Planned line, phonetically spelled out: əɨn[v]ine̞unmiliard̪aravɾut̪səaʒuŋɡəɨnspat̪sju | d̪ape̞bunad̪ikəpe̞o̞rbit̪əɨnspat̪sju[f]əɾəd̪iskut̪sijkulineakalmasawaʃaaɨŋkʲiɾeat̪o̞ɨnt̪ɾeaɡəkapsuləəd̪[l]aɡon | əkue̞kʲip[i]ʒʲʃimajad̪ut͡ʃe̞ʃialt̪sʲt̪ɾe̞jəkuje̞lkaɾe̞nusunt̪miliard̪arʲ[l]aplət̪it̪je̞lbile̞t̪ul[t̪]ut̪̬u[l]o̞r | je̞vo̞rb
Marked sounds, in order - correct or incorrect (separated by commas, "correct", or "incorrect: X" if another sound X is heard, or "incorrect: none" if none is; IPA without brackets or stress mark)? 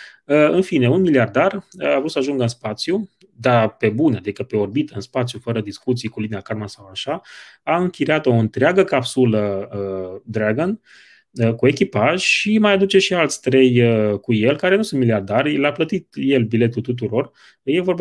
incorrect: f, correct, incorrect: ɾ, incorrect: a, correct, correct, incorrect: ɾ